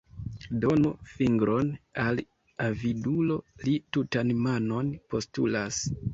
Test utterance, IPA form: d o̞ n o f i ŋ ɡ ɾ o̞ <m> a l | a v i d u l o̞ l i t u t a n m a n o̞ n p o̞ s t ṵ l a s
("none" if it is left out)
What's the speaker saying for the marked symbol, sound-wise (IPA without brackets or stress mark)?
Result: n